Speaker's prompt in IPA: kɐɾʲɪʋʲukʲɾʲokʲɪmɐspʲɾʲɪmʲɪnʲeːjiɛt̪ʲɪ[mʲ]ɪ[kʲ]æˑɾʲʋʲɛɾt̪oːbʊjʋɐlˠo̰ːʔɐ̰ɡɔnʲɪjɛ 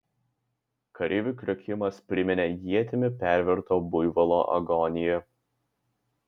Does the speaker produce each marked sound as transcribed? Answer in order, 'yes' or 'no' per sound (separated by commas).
yes, no